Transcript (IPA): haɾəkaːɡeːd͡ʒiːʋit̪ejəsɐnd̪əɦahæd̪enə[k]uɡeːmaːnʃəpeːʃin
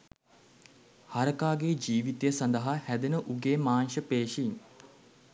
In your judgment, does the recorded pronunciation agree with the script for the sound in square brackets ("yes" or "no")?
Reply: no